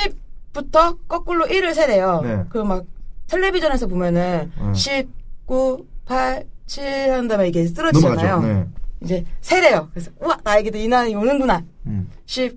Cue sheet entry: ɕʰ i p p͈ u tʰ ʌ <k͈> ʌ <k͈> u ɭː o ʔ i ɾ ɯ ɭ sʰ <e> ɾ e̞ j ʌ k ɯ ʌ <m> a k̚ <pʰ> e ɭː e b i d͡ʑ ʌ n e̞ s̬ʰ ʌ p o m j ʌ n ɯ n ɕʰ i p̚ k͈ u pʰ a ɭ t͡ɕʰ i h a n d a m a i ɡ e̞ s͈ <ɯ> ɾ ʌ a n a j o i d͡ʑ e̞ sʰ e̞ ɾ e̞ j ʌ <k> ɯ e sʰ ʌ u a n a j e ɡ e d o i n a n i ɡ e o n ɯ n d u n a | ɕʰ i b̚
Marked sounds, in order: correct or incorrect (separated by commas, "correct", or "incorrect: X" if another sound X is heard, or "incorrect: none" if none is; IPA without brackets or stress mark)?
correct, correct, correct, correct, incorrect: tʰ, correct, correct